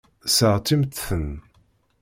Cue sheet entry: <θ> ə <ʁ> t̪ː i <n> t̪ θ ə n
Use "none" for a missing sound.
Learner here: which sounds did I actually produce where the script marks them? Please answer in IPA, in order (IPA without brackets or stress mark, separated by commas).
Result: s, ʁ, m